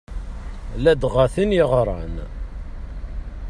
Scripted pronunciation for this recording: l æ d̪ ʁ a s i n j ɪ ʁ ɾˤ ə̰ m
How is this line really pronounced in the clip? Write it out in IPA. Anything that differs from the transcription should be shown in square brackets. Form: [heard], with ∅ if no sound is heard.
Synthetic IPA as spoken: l æ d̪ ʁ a [θ] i n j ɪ ʁ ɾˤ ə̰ [n]